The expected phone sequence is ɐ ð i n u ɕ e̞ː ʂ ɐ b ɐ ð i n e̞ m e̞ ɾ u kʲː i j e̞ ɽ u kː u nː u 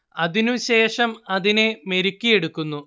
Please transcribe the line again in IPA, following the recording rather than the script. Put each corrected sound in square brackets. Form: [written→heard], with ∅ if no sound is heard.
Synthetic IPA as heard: ɐ ð i n u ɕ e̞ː ʂ ɐ [b→m] ɐ ð i n e̞ m e̞ ɾ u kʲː i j e̞ ɽ u kː u nː u